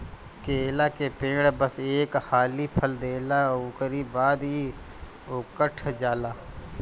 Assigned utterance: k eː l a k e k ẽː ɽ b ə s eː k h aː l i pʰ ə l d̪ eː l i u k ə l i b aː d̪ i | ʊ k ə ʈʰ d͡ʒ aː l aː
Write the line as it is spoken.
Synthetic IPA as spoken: k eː l a k e p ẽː ɽ b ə s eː k h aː l i pʰ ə l d̪ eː l a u k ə ɾ i b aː d̪ i | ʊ k ə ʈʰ d͡ʒ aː l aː